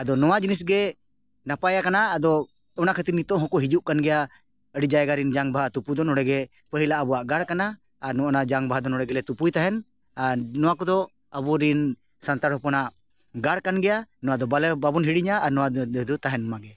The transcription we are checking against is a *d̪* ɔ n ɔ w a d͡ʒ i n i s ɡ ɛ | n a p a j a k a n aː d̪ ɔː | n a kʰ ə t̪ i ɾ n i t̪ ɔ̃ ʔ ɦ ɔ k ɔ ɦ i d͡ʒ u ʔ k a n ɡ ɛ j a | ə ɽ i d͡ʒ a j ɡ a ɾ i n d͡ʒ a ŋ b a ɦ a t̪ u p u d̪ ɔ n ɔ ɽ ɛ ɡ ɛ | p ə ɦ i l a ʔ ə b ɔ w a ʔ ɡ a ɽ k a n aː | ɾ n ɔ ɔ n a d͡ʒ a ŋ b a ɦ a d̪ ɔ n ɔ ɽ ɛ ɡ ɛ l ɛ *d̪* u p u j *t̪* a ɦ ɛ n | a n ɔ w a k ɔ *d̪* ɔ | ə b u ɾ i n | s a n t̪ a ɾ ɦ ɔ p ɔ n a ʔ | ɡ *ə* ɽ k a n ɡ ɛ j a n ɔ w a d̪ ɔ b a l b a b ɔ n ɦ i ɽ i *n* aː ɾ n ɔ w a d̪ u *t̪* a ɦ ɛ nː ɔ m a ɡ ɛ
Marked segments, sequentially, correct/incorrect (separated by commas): correct, incorrect, correct, correct, incorrect, incorrect, correct